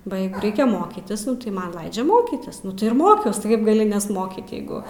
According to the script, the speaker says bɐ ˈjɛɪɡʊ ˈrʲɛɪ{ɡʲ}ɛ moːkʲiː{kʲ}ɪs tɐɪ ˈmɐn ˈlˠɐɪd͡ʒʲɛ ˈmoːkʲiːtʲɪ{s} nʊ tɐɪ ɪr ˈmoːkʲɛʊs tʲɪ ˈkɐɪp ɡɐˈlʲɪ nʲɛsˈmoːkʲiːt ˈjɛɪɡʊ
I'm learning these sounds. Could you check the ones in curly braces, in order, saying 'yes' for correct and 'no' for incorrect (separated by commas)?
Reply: no, no, yes